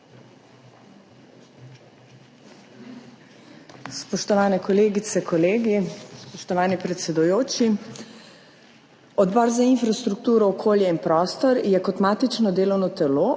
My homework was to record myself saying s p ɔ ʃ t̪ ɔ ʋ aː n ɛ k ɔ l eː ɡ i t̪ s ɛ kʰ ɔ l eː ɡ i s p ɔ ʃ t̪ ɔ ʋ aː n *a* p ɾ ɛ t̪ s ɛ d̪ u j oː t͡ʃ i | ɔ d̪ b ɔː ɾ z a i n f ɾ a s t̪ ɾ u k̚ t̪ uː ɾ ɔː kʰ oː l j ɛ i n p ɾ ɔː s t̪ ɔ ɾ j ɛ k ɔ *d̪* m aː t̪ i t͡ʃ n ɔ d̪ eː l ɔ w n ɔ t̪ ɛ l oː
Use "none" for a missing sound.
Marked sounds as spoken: i, t̪

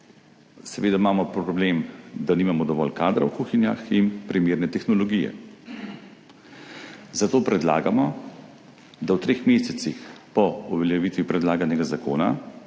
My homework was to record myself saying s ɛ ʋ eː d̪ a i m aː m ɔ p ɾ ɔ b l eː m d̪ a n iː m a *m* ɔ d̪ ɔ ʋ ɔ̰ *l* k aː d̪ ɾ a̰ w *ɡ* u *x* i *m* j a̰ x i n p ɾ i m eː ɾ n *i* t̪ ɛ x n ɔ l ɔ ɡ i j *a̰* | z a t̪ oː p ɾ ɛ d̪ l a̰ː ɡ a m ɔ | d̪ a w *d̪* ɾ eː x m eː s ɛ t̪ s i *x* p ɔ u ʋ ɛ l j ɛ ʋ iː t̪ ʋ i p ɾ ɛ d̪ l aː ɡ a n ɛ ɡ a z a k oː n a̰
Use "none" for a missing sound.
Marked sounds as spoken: m, l, k, x, n, ɛ, ɛ̰, t̪, x

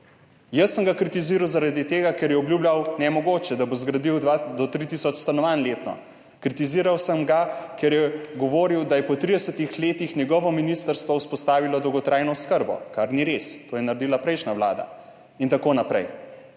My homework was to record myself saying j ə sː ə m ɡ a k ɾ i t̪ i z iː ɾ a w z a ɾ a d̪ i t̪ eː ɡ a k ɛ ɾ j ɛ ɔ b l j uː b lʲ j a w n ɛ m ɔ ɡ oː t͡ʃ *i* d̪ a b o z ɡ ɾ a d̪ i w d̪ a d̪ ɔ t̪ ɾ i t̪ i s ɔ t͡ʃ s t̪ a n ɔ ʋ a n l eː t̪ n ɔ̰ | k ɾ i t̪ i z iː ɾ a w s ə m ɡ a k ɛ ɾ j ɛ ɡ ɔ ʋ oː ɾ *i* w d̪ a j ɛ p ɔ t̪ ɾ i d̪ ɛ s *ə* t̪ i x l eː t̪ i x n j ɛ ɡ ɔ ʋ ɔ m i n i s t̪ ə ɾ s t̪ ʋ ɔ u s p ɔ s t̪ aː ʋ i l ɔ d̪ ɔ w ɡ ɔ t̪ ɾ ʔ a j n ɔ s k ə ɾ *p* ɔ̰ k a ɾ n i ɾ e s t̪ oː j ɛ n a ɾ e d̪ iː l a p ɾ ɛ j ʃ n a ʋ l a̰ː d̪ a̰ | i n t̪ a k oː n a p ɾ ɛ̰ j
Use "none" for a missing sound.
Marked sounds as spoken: ɛ, i, ə, b

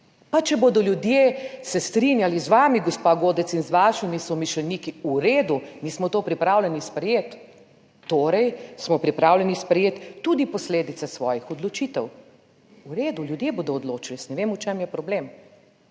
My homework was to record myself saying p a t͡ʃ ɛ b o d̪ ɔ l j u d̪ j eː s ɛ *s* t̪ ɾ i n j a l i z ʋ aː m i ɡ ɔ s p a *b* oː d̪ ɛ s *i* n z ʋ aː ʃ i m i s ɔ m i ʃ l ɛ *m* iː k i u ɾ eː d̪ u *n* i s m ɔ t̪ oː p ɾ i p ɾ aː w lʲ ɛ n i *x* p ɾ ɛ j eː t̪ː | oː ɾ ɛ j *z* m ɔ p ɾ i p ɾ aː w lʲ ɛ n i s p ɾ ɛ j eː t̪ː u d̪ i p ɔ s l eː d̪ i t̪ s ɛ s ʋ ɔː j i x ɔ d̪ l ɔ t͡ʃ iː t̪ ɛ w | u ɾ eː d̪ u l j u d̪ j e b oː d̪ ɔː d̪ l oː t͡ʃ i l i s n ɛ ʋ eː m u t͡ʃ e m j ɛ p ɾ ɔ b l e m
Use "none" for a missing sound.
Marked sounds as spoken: s, ɡ, i, n, n, s, s

